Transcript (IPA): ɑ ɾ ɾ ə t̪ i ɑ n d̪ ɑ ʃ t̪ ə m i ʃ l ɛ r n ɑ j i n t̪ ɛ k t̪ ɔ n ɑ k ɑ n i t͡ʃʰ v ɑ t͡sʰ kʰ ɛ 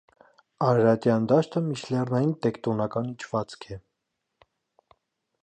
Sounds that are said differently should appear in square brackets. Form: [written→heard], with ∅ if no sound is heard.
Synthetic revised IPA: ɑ ɾ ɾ [ə→ɑ] t̪ [i→j] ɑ n d̪ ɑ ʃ t̪ ə m i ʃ l ɛ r n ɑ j i n t̪ ɛ k t̪ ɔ n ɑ k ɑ n i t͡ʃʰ v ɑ [t͡sʰ→t͡s] kʰ ɛ